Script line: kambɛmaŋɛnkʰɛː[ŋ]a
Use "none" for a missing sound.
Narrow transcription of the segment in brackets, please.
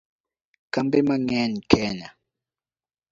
n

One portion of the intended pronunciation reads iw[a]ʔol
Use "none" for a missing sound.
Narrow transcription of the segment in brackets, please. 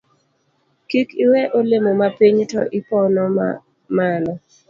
ɛ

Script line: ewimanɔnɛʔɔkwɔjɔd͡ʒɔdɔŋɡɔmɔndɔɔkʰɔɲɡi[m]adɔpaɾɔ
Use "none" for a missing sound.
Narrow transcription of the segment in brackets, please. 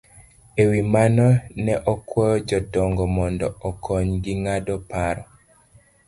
ŋ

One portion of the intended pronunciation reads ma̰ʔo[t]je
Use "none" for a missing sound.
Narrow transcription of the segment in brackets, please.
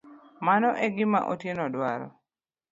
t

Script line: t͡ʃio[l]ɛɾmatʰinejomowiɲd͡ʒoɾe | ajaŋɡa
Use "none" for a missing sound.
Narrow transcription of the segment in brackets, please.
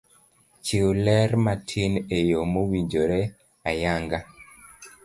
l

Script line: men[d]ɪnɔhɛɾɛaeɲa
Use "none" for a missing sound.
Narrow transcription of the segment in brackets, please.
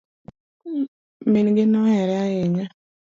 ɡ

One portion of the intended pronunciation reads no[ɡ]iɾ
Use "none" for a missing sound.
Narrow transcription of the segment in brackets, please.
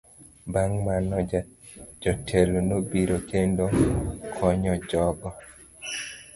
b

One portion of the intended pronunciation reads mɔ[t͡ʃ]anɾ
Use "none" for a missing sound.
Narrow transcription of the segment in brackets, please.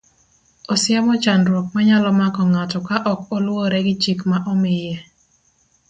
t͡ʃ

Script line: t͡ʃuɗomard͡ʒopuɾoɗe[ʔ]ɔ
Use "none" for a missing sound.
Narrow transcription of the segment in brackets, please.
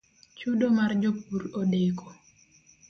k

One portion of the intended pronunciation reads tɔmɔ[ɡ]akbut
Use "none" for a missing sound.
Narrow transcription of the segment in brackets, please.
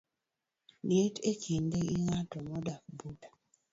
d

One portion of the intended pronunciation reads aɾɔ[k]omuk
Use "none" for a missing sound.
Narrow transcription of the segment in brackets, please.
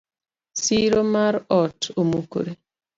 t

